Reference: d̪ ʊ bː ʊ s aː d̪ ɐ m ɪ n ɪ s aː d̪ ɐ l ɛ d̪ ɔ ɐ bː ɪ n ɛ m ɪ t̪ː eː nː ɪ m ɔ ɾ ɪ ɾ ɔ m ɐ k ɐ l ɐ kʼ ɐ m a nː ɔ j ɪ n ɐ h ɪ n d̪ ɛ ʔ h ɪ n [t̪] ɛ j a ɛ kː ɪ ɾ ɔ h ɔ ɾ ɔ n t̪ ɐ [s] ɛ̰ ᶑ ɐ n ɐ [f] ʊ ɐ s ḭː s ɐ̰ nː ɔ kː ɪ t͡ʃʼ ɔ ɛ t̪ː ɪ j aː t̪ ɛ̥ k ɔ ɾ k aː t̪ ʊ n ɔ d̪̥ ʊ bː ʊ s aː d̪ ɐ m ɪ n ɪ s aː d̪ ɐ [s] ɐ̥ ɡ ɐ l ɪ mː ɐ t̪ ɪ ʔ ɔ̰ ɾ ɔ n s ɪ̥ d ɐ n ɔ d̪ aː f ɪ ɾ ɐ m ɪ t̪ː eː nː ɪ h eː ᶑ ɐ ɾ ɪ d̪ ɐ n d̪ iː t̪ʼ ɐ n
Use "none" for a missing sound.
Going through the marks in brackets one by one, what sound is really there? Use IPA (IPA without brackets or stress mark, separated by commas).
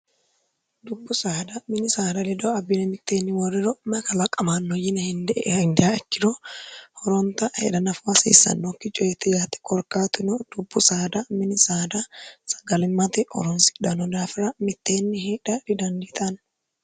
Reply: d̪, h, f, s